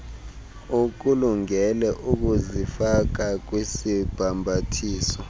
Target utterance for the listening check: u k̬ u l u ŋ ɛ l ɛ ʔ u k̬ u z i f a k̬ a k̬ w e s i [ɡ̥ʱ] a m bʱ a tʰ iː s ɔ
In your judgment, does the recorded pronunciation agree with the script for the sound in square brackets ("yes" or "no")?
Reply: no